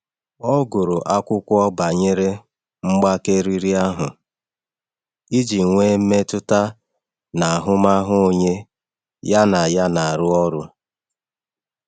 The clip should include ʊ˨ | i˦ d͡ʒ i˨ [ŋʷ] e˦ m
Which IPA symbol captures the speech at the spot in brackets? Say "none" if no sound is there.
ŋʷ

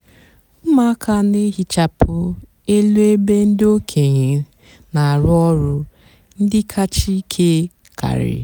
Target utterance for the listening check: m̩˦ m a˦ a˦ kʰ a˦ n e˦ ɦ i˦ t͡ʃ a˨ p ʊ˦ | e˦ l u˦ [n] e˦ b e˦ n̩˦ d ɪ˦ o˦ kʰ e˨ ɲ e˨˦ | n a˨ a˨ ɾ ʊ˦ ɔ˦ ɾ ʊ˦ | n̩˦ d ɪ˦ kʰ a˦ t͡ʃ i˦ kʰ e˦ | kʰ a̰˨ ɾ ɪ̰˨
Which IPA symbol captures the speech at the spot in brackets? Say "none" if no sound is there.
none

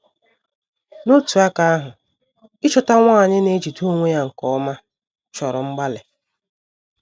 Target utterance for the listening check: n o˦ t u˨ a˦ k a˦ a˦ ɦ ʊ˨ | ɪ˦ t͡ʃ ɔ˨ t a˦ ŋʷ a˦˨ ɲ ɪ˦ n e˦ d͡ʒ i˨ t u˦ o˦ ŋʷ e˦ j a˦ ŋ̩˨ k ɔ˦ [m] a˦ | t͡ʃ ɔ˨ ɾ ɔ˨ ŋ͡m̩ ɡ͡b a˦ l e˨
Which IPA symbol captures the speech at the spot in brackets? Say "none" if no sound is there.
m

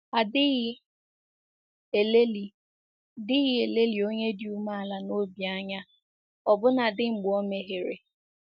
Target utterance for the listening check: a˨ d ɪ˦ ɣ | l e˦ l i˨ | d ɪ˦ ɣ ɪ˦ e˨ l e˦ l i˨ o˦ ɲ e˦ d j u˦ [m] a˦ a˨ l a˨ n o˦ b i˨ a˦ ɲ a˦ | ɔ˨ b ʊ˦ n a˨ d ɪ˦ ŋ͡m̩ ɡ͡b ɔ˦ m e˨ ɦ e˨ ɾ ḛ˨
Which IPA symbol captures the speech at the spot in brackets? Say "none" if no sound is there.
m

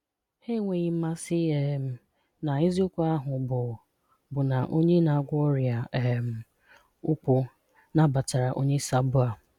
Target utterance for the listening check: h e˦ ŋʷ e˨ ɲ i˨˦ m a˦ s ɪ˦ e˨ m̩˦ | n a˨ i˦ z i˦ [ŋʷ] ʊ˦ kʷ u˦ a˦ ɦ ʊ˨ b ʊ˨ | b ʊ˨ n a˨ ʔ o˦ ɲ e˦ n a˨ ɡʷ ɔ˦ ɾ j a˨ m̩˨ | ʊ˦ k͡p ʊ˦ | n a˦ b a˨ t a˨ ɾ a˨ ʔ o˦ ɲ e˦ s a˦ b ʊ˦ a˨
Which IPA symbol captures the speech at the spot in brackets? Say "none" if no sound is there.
none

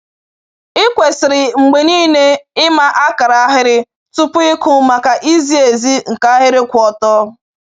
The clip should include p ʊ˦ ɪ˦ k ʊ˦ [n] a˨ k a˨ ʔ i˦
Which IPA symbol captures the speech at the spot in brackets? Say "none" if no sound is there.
m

